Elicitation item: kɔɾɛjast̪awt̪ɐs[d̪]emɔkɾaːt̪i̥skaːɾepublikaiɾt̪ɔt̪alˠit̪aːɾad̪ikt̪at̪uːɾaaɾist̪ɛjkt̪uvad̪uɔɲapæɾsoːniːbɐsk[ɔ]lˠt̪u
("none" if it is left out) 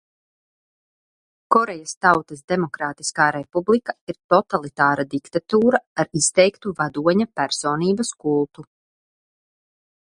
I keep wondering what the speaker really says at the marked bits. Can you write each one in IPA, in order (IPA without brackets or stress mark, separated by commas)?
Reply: d̪, u